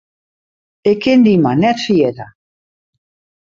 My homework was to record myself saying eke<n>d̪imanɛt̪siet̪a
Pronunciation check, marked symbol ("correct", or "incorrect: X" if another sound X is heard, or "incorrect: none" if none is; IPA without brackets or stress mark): correct